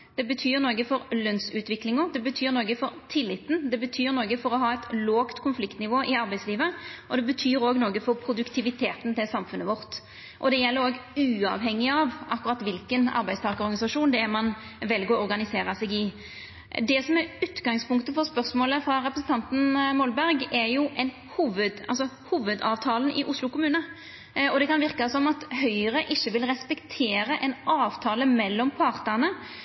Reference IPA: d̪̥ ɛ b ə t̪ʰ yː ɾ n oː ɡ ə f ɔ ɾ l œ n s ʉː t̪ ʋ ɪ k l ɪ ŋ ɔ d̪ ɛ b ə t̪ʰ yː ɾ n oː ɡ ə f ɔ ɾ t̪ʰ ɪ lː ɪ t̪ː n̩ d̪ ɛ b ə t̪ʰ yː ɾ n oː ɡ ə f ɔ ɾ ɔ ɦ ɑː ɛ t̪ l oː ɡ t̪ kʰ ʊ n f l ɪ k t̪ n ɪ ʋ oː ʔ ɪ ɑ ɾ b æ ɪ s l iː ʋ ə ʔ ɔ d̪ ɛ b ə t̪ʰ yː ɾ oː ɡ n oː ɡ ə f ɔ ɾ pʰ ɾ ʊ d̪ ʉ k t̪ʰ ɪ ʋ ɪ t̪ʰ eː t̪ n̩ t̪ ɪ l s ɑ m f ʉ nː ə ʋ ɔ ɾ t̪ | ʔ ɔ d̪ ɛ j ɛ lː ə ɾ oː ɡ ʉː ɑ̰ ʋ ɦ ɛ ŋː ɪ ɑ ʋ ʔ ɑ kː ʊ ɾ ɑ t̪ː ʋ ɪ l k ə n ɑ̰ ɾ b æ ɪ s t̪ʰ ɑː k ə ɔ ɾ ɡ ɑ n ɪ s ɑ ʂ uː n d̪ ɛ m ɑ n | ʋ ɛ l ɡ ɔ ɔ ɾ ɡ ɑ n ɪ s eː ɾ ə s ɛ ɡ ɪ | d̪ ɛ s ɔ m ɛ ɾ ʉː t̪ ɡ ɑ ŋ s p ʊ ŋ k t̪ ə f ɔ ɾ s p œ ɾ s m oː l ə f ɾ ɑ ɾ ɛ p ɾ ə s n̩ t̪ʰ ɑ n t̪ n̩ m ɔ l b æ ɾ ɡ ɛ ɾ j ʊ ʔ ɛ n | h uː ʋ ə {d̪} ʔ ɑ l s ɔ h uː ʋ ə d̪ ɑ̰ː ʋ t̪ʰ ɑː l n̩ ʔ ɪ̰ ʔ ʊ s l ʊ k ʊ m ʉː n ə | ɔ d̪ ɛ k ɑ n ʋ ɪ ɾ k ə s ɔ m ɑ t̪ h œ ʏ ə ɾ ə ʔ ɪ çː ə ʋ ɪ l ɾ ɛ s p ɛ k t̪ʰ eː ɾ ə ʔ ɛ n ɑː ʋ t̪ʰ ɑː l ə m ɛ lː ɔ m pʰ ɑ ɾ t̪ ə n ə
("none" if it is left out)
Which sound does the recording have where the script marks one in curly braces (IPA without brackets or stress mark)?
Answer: d̪